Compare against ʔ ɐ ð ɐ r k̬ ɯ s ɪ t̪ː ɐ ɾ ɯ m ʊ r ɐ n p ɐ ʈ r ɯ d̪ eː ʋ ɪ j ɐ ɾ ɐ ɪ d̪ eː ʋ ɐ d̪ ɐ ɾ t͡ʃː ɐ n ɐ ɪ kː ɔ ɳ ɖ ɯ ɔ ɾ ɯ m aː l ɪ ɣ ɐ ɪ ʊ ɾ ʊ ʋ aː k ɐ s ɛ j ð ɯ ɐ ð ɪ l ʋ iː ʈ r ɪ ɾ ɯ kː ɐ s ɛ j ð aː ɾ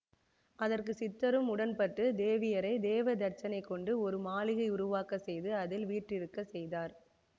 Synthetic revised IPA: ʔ ɐ ð ɐ r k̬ ɯ s ɪ t̪ː ɐ ɾ ɯ m ʊ ɽ ɐ n p ɐ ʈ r ɯ d̪ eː ʋ ɪ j ɐ ɾ ɐ ɪ d̪ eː ʋ ɐ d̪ ɐ ɾ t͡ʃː ɐ n ɐ ɪ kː ɔ ɳ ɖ ɯ ɔ ɾ ɯ m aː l ɪ ɣ ɐ ɪ ʊ ɾ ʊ ʋ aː k ɐ s ɛ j ð ɯ ɐ ð ɪ l ʋ iː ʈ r ɪ ɾ ɯ kː ɐ s ɛ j ð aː ɾ